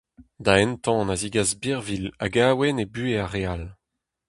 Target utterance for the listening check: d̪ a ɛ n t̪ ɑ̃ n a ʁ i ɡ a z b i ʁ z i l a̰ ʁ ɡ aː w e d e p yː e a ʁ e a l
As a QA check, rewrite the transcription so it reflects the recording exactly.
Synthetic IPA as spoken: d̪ a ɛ n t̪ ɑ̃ n a z i ɡ a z b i ʁ v i l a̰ ɡ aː w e n e b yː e a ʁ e a l